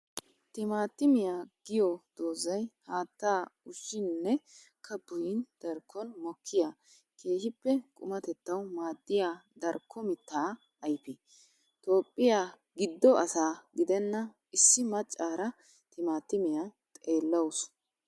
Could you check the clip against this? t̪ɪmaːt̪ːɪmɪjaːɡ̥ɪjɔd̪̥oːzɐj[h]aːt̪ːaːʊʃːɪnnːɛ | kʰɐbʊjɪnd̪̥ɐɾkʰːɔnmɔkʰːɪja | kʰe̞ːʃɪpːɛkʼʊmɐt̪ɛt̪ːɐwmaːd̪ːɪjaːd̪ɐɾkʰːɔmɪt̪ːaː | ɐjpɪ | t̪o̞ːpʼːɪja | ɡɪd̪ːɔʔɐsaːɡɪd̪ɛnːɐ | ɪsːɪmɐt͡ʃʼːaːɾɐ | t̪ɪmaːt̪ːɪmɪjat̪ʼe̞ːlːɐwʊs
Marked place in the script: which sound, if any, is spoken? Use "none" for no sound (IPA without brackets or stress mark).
h